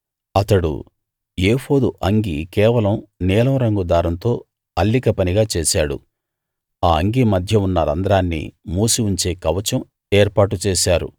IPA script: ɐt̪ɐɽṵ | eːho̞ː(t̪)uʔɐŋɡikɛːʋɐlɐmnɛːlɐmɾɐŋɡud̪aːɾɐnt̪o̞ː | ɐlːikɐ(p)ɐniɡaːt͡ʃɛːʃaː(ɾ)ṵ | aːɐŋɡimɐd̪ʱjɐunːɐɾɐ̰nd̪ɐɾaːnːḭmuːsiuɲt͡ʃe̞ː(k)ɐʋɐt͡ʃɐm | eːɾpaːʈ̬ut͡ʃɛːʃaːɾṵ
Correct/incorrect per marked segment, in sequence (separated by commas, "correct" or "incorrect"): incorrect, correct, incorrect, correct